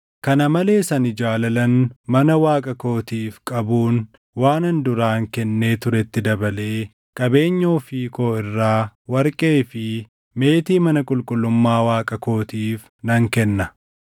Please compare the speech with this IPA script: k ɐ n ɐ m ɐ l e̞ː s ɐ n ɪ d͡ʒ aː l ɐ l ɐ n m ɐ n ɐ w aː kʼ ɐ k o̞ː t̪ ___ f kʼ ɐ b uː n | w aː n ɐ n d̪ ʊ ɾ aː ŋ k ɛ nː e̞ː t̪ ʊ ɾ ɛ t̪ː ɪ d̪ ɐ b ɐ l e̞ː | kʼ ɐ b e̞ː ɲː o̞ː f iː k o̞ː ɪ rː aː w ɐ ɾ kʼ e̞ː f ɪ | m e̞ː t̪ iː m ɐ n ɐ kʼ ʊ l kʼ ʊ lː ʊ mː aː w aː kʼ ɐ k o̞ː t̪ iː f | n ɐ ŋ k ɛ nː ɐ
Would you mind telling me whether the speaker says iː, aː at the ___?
iː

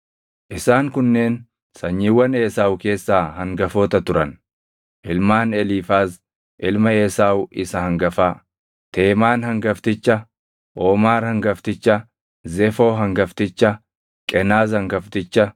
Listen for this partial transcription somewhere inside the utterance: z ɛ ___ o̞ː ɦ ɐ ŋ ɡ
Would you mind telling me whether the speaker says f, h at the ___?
f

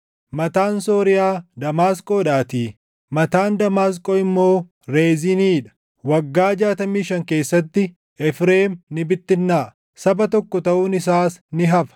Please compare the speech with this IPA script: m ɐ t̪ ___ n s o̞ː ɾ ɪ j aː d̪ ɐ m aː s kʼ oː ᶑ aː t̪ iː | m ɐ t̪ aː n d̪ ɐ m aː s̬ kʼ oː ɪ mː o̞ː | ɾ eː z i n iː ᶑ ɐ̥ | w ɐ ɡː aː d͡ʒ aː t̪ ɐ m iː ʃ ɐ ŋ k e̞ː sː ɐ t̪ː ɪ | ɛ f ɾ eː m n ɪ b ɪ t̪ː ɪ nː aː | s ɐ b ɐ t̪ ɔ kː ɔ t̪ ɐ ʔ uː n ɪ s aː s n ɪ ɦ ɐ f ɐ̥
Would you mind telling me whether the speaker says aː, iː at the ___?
aː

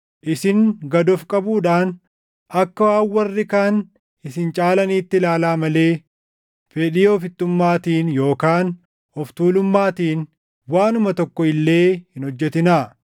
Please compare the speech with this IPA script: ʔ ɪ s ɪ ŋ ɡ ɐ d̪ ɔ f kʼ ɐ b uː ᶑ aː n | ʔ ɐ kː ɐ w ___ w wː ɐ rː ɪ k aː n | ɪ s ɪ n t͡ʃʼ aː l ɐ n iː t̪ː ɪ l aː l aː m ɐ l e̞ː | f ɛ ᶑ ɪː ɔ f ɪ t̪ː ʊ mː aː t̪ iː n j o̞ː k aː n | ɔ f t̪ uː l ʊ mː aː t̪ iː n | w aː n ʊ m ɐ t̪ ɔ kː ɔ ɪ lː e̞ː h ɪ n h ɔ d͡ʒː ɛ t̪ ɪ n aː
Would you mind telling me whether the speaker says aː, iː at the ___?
aː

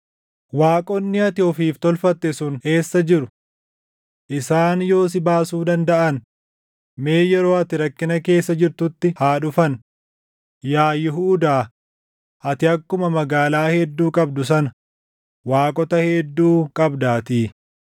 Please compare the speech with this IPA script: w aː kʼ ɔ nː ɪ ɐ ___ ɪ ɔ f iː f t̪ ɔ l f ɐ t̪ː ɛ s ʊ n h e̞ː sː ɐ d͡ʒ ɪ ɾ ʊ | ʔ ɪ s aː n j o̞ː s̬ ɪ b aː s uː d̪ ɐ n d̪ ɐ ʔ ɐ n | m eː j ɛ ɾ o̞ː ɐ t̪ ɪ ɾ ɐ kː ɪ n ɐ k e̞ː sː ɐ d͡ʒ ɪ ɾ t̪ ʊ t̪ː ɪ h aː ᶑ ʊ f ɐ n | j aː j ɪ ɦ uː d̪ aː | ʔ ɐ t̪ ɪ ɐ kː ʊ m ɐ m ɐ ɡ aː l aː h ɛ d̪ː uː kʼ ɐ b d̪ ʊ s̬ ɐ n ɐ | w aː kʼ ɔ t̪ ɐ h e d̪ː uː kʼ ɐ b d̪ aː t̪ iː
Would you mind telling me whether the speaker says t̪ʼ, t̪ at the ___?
t̪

